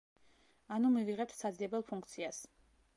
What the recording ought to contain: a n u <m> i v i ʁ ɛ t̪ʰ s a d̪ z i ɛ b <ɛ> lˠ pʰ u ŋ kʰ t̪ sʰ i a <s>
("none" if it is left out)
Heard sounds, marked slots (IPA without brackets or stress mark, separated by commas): m, ɛ, s